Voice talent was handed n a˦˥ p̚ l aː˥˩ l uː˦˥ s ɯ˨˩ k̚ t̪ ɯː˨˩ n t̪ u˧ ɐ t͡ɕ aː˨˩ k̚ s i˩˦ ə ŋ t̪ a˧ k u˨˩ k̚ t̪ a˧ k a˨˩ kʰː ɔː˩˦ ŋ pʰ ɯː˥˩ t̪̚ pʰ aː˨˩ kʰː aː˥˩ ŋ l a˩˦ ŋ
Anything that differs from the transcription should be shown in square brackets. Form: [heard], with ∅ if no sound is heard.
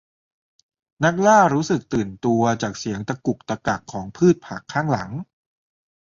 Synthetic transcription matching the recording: n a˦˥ [k̚] l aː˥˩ [ɾ] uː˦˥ s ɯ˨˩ k̚ t̪ ɯː˨˩ n t̪ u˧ ɐ t͡ɕ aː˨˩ k̚ s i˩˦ ə ŋ t̪ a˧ k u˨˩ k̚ t̪ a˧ k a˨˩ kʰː ɔː˩˦ ŋ pʰ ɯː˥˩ t̪̚ pʰ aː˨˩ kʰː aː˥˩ ŋ l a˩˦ ŋ